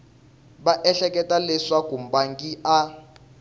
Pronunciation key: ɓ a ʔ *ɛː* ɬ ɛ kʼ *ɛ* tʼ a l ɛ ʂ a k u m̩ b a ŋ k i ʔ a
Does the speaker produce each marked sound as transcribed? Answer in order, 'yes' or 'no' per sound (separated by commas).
no, yes